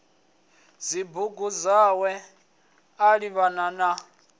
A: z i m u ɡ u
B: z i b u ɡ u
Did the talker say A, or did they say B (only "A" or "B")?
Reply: B